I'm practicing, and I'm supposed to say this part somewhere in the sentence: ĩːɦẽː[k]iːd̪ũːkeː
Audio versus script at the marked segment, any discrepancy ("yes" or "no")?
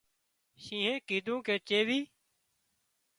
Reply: no